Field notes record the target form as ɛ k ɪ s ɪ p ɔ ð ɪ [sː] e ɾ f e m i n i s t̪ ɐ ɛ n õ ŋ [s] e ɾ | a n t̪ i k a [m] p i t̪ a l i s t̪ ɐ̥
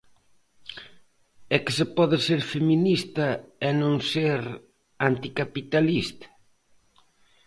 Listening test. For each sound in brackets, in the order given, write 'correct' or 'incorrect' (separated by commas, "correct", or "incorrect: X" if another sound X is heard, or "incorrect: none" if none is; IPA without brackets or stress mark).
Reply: incorrect: s, correct, incorrect: none